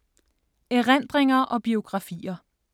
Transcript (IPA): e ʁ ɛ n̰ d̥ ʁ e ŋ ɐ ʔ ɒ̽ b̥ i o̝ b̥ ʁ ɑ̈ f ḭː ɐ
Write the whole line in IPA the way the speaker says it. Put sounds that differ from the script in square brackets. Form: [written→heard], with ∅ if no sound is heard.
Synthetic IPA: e ʁ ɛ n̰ d̥ ʁ e ŋ ɐ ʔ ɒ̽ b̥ i o̝ [b̥→ɡ̥] ʁ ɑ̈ f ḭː ɐ